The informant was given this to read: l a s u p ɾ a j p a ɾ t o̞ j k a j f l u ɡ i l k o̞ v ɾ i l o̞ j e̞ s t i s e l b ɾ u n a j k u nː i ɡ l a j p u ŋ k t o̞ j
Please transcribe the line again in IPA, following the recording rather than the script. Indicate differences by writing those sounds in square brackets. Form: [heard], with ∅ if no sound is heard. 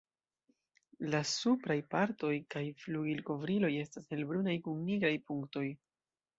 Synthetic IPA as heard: l a s u p ɾ a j p a ɾ t o̞ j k a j f l u ɡ i l k o̞ v ɾ i l o̞ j e̞ s t [a] s e l b ɾ u n a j k u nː i ɡ [ɾ] a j p u ŋ k t o̞ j